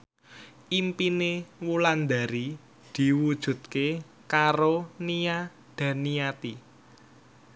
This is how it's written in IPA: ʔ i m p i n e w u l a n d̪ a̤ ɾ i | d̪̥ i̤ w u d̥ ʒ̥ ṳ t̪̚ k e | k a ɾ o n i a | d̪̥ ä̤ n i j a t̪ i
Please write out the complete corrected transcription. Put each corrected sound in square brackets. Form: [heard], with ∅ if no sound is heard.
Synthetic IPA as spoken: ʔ i m p i n e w u l a n d̪ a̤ ɾ i | d̪̥ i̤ w u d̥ ʒ̥ ṳ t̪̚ k e | k a ɾ o n i a | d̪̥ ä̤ n i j a t̪ i